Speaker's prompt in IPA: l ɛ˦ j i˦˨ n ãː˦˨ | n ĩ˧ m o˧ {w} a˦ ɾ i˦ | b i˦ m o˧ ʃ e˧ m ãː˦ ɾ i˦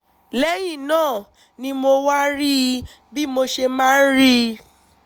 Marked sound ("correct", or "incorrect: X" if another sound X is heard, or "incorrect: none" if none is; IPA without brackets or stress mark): correct